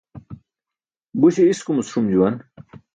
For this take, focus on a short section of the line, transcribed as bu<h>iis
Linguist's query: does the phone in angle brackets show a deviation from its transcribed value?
yes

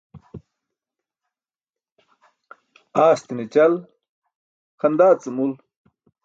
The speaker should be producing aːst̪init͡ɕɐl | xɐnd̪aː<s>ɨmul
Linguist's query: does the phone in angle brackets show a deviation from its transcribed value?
yes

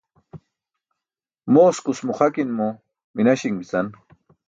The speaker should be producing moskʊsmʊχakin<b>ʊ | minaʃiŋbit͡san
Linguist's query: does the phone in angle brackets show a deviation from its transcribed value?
yes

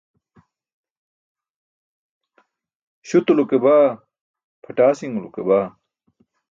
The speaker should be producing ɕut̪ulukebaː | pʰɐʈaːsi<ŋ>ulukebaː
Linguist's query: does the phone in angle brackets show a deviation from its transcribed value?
no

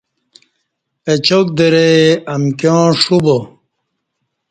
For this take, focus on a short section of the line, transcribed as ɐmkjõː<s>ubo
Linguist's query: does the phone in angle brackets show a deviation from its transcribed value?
yes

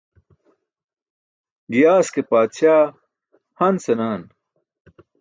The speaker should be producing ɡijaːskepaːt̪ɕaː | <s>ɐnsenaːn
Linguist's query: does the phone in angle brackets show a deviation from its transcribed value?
yes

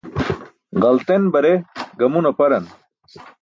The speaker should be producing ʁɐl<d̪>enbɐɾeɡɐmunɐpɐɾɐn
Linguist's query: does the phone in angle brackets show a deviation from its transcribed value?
yes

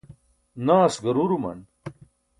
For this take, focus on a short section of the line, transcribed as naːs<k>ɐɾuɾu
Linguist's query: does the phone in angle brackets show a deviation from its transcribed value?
yes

